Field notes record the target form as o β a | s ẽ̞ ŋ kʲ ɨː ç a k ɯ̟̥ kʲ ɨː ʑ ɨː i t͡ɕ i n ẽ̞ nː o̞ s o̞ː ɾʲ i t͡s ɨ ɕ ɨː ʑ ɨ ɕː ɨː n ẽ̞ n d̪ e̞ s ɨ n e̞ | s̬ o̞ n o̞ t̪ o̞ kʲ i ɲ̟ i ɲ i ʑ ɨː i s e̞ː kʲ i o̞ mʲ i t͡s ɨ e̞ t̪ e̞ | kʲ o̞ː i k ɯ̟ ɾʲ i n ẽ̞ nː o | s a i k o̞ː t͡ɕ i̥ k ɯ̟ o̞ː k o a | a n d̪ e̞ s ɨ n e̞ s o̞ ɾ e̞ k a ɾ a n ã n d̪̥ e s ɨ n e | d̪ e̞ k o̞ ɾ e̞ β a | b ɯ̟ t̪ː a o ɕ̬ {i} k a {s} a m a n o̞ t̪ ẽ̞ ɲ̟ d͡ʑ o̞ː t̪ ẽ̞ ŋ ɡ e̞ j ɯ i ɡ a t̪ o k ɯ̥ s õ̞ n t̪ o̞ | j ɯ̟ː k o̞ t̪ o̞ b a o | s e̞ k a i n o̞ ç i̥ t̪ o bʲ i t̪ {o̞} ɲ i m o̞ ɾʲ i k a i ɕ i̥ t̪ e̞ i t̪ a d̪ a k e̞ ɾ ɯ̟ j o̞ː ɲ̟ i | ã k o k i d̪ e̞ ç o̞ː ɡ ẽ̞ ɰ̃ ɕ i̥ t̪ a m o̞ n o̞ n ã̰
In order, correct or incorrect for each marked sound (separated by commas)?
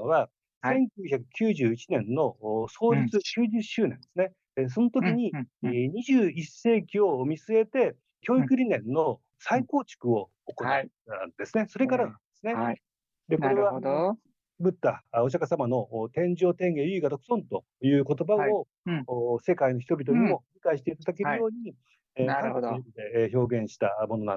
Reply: incorrect, correct, correct